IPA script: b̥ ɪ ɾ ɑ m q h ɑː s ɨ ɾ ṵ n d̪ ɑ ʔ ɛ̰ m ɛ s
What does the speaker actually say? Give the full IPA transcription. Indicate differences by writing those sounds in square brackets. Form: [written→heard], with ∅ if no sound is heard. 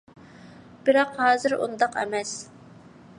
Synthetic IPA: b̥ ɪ ɾ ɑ [m→∅] q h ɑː [s→z] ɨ ɾ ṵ n d̪ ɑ [ʔ→q] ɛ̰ m ɛ s